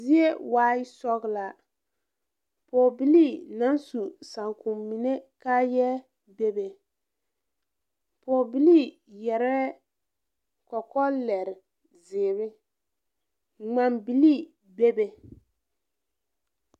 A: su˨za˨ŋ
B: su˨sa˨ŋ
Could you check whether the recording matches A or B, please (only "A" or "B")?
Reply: B